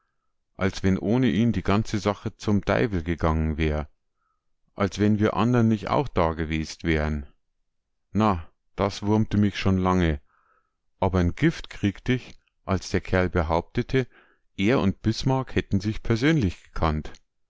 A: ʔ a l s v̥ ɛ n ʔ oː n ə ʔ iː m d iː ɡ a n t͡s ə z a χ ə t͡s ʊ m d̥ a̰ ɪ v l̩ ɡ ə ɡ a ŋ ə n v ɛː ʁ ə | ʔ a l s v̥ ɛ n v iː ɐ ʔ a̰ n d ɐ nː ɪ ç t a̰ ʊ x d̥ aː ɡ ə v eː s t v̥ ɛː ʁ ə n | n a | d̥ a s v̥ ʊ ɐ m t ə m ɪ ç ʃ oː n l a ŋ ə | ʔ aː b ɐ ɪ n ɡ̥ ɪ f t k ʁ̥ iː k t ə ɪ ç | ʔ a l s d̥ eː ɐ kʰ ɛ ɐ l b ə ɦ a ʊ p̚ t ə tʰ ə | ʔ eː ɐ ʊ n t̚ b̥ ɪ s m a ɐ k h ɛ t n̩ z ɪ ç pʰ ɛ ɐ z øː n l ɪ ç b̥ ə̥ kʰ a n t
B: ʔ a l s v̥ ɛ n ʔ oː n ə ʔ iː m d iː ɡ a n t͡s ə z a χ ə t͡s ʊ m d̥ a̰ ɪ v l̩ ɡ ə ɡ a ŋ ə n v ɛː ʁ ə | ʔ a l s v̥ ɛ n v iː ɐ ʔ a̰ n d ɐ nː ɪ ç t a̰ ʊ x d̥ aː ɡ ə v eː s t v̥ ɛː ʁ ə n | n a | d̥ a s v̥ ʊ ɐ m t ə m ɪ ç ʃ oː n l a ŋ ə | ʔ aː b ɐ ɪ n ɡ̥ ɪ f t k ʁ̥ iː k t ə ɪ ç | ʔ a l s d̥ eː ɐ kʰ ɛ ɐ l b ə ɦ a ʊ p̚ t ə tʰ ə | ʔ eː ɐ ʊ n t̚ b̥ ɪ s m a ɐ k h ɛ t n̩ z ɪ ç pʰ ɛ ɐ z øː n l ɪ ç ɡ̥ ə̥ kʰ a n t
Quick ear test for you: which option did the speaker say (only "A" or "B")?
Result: B